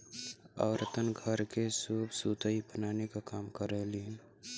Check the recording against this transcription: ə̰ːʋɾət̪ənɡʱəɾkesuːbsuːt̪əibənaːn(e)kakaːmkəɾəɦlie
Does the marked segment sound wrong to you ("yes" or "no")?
no